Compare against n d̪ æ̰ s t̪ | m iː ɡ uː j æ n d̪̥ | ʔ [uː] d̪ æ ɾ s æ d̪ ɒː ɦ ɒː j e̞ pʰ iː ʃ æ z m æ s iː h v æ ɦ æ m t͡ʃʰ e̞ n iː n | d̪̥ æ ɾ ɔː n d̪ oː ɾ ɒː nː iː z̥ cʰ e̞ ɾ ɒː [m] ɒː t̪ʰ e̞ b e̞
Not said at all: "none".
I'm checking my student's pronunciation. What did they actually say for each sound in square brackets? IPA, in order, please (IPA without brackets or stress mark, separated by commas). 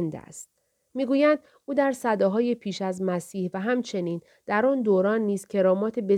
uː, m